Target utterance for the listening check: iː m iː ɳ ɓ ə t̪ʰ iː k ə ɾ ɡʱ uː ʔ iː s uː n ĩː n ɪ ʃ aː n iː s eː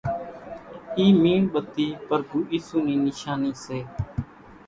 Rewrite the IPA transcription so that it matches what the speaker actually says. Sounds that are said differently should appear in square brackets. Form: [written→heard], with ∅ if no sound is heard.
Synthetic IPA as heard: iː m iː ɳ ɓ ə [t̪ʰ→t̪] iː [k→p] ə ɾ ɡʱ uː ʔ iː s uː n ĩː n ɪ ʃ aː n iː s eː